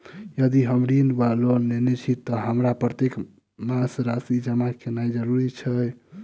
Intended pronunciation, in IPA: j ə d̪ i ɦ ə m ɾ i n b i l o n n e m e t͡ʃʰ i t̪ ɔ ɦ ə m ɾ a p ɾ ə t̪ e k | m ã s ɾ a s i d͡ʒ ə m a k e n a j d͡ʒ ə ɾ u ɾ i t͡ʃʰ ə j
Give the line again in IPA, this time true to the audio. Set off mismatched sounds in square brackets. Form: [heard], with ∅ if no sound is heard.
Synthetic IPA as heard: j ə d̪ i ɦ ə m ɾ i n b [a] l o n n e [n] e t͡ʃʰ i t̪ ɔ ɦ ə m ɾ a p ɾ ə t̪ e k | m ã s ɾ a s i d͡ʒ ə m a k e n a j d͡ʒ ə ɾ u ɾ i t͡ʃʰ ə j